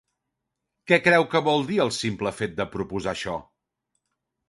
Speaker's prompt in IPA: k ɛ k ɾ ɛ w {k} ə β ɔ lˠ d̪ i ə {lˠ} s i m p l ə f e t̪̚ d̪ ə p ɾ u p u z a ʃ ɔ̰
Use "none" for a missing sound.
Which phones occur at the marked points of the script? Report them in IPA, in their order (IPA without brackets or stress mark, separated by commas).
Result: k, lˠ